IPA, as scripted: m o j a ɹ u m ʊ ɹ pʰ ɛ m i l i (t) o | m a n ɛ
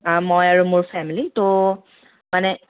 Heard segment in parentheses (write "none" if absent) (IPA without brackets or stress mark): t